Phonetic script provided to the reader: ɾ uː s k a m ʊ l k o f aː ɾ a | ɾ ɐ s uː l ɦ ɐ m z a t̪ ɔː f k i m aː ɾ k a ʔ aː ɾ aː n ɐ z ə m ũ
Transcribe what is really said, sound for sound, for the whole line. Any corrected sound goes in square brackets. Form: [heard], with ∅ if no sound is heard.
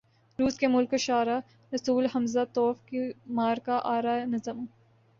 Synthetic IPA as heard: ɾ uː s k [e] m ʊ l k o [ʃ] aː ɾ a | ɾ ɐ s uː l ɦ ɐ m z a t̪ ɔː f k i m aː ɾ k a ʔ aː ɾ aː n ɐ z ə m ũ